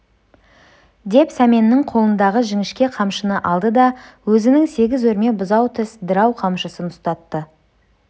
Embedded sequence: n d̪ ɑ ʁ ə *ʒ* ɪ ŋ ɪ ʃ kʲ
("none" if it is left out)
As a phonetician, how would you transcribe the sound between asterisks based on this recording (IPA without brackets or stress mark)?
ʒ